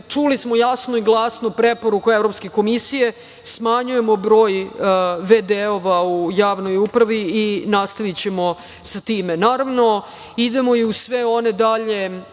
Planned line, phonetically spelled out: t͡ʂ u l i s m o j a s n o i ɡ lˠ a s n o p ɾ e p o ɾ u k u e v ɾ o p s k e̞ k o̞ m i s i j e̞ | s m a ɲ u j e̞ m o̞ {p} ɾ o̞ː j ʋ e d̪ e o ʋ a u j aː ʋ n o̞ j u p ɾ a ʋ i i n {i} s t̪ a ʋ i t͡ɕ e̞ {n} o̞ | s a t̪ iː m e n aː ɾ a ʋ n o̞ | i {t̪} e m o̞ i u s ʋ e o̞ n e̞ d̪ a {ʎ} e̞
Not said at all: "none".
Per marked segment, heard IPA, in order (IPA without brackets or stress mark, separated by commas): b, a, m, d̪, ʎ